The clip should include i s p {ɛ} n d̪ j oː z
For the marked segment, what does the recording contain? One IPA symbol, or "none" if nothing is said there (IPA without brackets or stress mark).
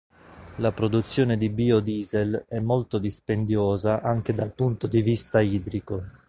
e